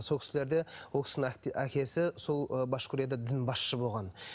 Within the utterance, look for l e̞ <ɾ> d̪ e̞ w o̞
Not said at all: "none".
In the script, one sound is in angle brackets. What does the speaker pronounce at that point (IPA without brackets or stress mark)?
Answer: ɾ